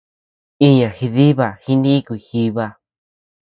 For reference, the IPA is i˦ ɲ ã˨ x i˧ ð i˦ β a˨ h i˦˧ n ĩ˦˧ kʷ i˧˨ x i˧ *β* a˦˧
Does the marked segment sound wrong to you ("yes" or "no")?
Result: no